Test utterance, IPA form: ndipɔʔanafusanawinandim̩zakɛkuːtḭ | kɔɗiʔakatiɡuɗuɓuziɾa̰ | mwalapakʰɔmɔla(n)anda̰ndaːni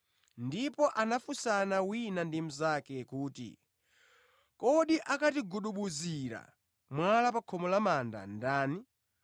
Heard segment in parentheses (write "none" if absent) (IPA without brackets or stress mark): m